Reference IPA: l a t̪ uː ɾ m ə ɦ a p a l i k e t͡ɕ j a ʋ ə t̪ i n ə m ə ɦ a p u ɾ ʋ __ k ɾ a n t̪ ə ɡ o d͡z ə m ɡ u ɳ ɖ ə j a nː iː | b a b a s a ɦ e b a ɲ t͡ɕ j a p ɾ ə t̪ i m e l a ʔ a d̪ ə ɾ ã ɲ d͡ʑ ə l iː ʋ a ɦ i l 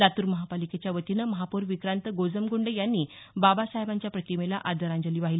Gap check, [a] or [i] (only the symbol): i